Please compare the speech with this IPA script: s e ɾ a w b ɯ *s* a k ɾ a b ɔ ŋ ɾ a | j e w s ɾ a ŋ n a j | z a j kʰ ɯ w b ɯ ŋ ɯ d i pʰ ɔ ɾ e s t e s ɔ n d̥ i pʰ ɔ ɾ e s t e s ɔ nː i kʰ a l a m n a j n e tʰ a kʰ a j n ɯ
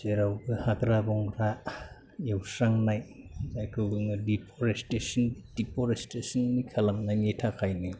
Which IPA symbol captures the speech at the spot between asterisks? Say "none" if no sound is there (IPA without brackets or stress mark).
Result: h